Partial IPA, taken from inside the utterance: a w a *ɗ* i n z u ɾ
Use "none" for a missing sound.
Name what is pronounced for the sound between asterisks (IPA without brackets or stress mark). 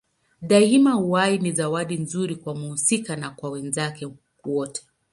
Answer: ɗ